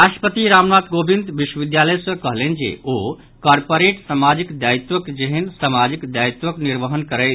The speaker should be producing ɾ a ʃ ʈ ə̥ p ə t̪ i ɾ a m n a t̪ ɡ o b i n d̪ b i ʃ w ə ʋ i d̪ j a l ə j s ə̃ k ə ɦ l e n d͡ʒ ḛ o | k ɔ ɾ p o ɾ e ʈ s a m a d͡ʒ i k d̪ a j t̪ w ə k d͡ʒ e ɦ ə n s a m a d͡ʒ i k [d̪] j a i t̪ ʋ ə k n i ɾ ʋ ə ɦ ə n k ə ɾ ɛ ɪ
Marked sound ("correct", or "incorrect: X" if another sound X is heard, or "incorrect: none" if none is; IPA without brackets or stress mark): correct